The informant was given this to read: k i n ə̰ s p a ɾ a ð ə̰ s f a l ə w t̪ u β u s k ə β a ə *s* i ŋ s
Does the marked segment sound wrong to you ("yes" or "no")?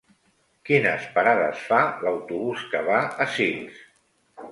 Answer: no